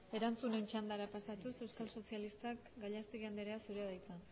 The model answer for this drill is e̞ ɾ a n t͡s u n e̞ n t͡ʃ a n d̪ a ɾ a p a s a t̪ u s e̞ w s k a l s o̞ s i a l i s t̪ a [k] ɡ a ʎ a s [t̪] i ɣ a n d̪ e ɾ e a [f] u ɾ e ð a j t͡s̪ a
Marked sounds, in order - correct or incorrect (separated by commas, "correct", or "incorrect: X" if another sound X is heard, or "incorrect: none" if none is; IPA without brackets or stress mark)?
correct, correct, incorrect: s